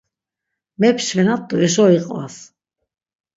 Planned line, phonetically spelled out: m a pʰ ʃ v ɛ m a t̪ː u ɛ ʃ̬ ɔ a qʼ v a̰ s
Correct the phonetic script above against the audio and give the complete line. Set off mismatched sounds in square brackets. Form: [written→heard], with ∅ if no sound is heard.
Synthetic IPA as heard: m [a→ɛ] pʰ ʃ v ɛ [m→n] a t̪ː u ɛ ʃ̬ ɔ [a→i] qʼ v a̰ s